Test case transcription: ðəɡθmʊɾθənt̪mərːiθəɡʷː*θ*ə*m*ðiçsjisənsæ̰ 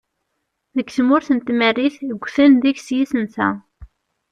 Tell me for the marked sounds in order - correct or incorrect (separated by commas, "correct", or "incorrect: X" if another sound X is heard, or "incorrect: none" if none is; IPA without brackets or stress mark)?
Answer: correct, incorrect: n